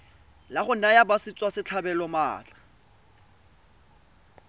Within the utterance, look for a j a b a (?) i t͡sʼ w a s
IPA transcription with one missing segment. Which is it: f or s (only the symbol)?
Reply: s